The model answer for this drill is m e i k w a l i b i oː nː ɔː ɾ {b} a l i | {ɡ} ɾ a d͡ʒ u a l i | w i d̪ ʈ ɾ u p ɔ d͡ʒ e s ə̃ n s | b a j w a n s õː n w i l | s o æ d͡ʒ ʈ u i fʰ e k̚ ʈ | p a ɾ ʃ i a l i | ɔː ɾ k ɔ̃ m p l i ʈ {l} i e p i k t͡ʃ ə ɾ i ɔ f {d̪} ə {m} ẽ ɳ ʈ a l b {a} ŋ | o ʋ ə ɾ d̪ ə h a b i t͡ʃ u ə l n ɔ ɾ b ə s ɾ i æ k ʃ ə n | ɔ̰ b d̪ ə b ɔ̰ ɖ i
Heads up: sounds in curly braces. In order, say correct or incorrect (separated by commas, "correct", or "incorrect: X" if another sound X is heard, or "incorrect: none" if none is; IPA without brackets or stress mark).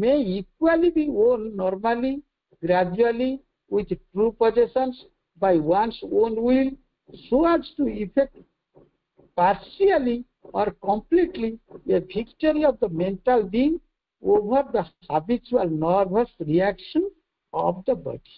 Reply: incorrect: m, correct, correct, correct, correct, incorrect: i